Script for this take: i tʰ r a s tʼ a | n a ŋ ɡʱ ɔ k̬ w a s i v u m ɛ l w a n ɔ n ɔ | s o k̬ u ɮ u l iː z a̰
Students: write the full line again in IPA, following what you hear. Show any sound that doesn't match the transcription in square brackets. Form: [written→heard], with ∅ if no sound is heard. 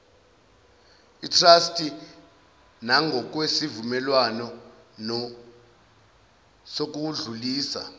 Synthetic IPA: i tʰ r a s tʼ [a→i] | n a ŋ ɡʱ ɔ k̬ w [a→e] s i v u m ɛ l w a n ɔ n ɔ | s o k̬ u ɮ u l iː [z→s] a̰